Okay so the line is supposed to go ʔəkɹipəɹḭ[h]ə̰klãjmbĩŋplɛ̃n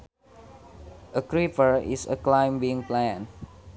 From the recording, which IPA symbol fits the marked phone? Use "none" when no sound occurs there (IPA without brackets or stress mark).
s